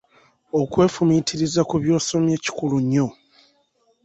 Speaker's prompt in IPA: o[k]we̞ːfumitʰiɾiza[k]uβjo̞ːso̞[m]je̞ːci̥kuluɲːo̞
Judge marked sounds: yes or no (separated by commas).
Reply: yes, yes, yes